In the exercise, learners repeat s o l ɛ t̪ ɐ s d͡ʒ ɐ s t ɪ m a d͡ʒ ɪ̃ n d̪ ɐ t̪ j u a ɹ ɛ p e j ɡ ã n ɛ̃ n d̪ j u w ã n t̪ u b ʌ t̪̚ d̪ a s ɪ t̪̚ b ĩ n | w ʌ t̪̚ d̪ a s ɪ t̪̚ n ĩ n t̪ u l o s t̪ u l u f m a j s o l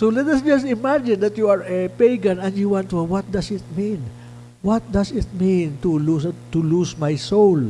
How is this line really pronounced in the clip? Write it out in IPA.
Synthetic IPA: s o l ɛ t̪ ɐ s d͡ʒ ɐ s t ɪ m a d͡ʒ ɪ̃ n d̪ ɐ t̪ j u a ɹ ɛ p e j ɡ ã n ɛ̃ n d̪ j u w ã n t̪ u w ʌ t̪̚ d̪ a s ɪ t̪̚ m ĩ n | w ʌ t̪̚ d̪ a s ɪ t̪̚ m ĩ n t̪ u l u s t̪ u l u s m a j s o l